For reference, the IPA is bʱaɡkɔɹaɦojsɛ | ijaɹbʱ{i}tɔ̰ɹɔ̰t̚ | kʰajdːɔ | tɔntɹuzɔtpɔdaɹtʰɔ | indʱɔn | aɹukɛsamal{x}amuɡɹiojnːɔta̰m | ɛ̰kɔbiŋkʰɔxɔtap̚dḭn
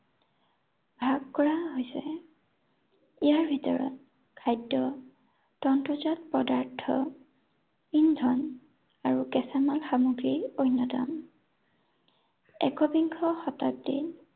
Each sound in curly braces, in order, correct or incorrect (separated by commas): correct, correct